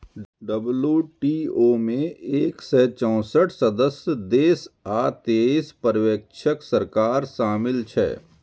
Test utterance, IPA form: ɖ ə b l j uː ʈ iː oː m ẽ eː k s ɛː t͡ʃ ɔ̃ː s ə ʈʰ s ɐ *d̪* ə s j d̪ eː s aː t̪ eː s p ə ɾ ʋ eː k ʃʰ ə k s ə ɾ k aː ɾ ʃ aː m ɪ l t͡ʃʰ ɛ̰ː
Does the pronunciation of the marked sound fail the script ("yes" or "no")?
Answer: no